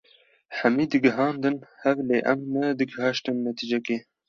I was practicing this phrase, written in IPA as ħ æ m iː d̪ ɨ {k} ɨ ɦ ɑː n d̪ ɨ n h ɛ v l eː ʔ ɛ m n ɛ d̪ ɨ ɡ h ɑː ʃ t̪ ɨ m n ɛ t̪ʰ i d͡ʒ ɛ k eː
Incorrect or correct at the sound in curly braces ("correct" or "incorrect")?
incorrect